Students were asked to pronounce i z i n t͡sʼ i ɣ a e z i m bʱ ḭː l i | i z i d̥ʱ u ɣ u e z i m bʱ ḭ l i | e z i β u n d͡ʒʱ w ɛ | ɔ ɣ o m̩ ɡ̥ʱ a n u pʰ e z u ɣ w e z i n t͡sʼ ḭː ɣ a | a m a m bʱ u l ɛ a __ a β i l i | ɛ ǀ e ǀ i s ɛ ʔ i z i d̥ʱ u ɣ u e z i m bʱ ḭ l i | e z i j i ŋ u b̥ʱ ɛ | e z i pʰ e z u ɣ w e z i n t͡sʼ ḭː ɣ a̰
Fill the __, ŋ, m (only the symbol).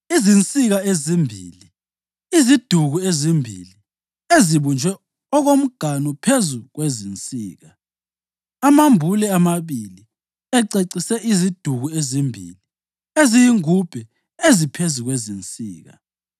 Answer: m